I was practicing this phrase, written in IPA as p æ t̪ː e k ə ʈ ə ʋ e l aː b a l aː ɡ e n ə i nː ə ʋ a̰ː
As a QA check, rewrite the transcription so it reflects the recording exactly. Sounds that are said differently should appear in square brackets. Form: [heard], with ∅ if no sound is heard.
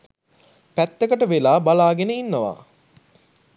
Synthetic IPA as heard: p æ t̪ː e k ə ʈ ə ʋ e l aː b a l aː ɡ e n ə i nː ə ʋ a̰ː